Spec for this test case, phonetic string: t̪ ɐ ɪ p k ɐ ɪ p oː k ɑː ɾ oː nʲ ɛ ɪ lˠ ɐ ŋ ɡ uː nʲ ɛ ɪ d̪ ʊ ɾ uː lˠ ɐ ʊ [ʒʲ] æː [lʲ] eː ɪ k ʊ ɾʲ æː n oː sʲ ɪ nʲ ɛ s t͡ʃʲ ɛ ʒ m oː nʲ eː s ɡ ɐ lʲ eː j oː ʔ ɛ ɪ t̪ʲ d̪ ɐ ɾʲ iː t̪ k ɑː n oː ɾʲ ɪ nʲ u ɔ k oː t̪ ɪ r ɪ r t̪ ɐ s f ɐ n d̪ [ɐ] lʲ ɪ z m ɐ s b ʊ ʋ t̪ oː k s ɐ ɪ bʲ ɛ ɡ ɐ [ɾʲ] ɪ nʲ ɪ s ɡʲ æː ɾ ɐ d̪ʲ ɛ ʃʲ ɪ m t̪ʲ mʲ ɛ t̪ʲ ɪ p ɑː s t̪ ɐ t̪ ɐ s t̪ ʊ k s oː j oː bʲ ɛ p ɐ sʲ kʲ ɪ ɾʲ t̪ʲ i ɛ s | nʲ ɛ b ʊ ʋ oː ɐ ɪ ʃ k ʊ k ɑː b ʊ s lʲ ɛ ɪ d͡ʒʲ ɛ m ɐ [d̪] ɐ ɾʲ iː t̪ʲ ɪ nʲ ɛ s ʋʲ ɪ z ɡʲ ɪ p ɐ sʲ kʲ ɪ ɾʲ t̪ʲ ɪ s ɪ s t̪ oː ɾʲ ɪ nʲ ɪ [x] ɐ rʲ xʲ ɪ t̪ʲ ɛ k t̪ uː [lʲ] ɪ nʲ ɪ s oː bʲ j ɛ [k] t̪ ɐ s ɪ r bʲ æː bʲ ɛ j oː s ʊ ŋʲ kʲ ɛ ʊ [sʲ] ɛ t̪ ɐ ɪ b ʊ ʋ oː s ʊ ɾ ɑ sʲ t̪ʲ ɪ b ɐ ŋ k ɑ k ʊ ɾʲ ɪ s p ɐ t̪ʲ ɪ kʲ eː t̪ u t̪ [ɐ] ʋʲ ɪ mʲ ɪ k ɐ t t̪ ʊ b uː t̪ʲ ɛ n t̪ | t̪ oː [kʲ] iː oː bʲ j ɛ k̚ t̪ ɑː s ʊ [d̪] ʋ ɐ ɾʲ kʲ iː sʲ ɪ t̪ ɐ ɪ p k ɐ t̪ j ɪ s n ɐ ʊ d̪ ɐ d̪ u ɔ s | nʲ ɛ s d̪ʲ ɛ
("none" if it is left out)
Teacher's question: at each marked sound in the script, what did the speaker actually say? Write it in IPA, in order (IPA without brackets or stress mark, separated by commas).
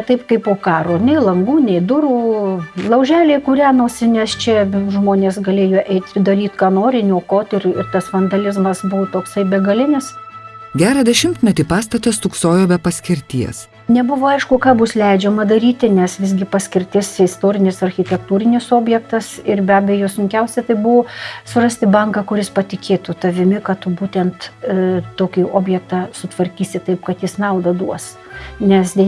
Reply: ʒʲ, lʲ, ɐ, lʲ, d̪, s, ɾʲ, k, sʲ, ɐ, kʲ, t̪